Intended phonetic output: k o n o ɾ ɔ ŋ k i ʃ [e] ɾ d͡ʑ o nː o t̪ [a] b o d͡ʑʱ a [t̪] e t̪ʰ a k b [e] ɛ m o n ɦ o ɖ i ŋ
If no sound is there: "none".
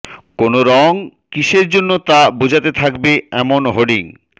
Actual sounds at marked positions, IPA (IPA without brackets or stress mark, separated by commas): e, a, t̪, e